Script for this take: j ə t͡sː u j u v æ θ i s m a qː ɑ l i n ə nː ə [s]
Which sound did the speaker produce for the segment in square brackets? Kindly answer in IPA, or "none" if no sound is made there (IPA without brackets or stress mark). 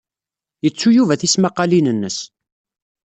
s